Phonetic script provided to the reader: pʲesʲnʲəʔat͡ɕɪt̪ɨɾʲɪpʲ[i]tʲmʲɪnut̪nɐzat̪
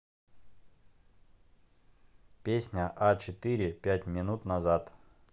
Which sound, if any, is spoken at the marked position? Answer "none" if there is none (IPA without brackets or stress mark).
æ